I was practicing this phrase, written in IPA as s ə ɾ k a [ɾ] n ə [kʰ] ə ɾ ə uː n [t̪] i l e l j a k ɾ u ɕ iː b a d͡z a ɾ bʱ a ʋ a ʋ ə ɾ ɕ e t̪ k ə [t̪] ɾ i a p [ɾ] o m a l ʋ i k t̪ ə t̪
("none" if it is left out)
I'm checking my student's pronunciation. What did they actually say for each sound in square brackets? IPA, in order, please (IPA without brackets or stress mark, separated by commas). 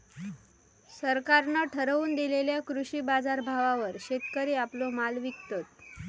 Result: ɾ, ʈʰ, d̪, none, l